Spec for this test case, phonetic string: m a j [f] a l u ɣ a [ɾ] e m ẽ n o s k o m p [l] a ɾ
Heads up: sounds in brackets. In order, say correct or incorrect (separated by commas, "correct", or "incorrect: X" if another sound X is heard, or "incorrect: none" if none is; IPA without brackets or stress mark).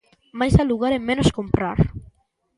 incorrect: s, correct, incorrect: ɾ